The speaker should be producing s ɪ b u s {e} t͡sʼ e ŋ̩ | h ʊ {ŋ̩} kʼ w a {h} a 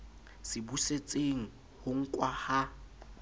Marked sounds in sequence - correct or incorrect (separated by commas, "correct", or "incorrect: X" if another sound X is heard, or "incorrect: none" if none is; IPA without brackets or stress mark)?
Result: correct, correct, correct